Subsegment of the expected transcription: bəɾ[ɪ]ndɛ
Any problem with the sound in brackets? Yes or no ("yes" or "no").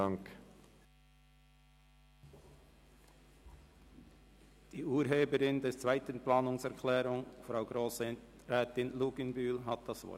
no